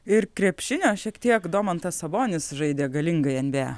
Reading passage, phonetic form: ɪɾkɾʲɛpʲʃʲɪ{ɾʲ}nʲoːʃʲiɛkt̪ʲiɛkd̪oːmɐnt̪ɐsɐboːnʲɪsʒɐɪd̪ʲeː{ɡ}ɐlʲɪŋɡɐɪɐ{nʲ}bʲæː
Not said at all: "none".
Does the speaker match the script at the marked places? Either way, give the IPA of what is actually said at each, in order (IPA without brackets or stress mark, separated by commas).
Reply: none, ɡ, nʲ